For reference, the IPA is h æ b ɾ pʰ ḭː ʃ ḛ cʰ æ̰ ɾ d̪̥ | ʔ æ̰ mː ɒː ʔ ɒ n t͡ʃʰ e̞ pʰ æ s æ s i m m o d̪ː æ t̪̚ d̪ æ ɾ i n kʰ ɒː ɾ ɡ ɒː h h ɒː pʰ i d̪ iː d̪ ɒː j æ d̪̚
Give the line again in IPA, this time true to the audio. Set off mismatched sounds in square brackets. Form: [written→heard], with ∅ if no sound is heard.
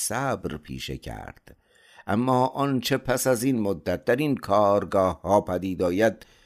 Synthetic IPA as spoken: [h→s] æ b ɾ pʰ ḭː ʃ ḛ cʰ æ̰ ɾ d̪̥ | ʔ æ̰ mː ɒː ʔ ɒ n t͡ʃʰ e̞ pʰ æ s æ [s→z] i [m→n] m o d̪ː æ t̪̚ d̪ æ ɾ i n kʰ ɒː ɾ ɡ ɒː h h ɒː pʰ [i→æ] d̪ iː d̪ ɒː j æ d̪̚